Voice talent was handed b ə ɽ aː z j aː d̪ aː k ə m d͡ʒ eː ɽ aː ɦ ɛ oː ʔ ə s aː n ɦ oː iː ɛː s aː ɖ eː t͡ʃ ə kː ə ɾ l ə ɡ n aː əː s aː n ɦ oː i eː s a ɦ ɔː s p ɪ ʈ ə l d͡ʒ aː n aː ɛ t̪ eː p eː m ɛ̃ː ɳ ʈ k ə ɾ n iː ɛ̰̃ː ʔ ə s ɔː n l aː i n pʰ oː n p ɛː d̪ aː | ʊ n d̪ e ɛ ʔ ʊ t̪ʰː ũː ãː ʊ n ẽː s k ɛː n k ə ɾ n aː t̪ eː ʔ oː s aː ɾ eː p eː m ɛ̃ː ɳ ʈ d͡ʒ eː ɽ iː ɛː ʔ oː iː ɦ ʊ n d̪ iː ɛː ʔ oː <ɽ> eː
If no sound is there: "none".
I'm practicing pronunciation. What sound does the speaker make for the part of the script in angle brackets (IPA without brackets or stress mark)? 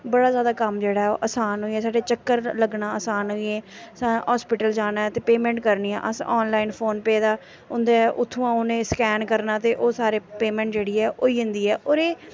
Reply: ɾ